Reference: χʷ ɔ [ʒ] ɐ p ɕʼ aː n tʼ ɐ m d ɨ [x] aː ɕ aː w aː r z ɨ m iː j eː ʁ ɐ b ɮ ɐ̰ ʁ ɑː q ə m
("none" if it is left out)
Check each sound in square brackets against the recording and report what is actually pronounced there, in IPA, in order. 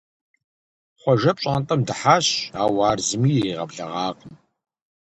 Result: ʒ, ħ

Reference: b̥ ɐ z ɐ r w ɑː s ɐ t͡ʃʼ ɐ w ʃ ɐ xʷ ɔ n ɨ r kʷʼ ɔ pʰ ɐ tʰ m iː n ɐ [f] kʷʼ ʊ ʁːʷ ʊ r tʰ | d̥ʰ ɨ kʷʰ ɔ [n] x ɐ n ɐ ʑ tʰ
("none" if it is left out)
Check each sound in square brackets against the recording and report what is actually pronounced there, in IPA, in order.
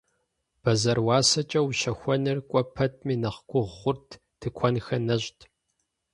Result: χ, n

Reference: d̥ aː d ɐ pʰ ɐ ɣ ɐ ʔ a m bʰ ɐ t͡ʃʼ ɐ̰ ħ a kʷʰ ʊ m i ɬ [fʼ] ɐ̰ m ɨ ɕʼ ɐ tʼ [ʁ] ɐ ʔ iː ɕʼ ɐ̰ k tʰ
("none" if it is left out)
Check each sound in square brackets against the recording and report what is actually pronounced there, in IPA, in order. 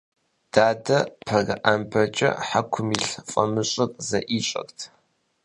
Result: fʼ, z

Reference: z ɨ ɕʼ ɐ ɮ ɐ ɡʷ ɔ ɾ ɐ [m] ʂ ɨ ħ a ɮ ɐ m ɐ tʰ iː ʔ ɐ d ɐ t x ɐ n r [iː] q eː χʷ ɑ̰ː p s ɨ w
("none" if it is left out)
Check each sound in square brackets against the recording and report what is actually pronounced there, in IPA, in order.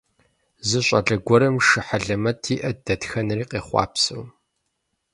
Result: m, iː

